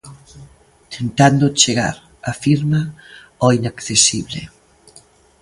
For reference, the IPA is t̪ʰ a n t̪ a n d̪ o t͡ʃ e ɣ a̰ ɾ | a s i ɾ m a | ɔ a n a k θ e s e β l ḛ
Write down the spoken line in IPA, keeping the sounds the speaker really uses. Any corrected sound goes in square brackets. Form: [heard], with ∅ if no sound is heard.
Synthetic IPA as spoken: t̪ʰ [e] n t̪ a n d̪ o t͡ʃ e ɣ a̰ ɾ | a [f] i ɾ m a | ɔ [i] n a k θ e s [i] β l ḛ